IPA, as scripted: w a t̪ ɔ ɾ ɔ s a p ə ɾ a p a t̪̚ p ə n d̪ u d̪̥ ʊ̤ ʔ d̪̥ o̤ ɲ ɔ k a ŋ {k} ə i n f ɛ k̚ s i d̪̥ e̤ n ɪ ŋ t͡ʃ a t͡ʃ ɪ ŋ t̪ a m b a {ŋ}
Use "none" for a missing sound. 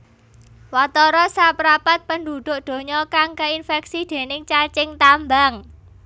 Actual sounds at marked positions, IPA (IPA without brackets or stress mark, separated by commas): k, ŋ